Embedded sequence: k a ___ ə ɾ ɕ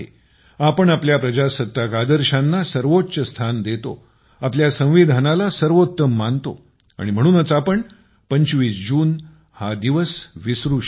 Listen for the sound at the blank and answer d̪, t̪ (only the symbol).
d̪